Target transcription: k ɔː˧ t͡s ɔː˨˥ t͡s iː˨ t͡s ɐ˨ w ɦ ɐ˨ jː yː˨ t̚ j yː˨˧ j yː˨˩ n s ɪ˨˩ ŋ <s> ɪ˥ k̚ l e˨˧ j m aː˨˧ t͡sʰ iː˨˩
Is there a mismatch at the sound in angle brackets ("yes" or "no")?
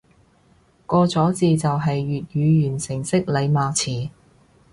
no